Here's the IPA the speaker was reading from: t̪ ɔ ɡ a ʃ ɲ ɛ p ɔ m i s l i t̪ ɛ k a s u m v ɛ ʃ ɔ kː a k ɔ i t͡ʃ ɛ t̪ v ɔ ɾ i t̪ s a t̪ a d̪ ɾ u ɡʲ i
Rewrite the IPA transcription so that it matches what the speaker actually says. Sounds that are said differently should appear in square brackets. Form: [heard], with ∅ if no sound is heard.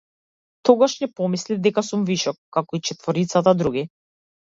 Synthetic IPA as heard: t̪ ɔ ɡ a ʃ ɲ ɛ p ɔ m i s l i [d̪] ɛ k a s u m v [i] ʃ ɔ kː a k ɔ i t͡ʃ ɛ t̪ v ɔ ɾ i t̪ s a t̪ a d̪ ɾ u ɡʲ i